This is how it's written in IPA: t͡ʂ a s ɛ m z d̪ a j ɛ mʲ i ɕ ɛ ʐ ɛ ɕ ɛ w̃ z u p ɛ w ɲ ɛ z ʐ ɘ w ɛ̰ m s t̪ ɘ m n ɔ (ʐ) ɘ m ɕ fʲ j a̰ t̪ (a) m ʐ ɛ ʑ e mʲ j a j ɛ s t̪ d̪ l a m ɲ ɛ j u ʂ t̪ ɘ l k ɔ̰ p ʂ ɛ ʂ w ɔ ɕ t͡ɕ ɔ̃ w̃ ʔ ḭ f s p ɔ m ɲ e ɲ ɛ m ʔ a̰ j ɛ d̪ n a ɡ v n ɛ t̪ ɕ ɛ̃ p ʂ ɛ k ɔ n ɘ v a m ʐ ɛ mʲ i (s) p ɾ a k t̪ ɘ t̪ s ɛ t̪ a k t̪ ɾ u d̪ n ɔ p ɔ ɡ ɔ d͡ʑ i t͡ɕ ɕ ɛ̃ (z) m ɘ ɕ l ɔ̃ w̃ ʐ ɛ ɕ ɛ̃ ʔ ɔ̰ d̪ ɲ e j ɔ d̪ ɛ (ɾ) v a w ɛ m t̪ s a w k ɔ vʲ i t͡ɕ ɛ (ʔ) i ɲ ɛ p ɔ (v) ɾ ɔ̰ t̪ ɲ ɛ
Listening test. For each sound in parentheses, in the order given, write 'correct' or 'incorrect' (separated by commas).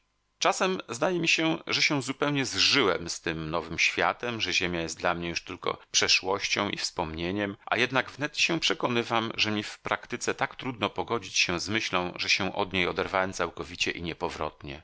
incorrect, incorrect, incorrect, correct, correct, correct, correct